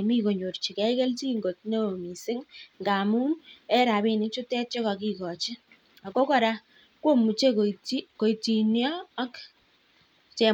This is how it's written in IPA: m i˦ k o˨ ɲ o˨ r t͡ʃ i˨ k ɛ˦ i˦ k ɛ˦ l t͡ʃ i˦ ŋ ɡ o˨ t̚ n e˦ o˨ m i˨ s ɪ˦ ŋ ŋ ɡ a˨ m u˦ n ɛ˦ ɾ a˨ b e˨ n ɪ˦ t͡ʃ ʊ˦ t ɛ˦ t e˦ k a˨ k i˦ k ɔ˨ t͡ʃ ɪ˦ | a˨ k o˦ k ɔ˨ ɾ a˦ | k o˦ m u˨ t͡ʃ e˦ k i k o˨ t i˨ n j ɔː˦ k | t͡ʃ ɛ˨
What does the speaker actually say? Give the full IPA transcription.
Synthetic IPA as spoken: m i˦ k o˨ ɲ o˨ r t͡ʃ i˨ k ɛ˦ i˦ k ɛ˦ l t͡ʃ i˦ ŋ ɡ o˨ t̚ n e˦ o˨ m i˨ s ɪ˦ ŋ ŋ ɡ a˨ m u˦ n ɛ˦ ɾ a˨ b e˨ n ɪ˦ t͡ʃ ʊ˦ t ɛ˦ t͡ʃ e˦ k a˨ k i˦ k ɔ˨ t͡ʃ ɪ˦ | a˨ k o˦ k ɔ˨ ɾ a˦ | k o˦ m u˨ t͡ʃ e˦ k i k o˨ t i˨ n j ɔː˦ k | t͡ʃ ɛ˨